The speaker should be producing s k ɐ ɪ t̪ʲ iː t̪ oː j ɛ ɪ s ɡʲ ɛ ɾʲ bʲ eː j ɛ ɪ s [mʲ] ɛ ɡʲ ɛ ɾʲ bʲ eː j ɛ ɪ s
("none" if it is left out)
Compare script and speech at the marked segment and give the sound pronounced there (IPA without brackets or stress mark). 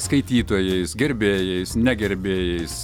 nʲ